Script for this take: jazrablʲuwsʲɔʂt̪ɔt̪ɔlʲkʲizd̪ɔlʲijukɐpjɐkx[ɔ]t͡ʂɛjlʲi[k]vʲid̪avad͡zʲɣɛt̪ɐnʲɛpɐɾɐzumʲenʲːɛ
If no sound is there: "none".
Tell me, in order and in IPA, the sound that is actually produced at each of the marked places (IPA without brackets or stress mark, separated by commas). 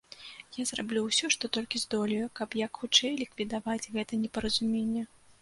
u, k